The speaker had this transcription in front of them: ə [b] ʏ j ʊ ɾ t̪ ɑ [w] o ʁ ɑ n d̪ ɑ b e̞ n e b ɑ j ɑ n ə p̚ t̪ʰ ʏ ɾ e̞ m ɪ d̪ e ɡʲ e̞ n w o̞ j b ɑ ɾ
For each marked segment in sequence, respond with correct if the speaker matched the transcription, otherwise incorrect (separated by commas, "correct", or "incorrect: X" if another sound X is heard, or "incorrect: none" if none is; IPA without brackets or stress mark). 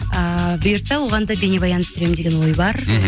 correct, correct